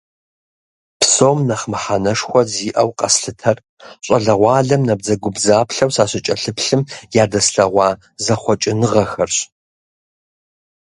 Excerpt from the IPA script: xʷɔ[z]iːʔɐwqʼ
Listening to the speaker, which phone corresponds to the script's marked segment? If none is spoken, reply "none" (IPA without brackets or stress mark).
z